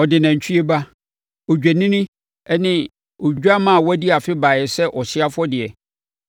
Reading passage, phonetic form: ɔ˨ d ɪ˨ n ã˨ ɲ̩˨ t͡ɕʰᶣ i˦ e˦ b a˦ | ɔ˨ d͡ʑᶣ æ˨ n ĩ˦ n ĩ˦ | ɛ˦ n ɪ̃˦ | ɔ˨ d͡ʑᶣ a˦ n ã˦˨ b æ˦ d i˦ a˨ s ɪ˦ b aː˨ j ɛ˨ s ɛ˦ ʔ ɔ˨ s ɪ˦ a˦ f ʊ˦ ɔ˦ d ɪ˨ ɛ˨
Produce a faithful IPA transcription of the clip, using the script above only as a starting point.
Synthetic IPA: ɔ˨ d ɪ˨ n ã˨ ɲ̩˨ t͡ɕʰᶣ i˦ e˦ b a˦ | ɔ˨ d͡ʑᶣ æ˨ n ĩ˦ n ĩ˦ | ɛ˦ n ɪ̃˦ | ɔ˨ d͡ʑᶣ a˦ m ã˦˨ w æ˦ d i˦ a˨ f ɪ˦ b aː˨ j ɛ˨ s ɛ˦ ʔ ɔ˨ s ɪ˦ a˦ f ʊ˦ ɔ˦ d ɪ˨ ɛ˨